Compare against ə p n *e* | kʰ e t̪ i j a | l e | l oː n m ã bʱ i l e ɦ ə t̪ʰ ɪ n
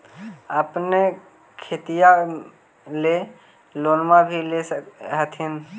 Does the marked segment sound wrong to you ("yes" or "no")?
no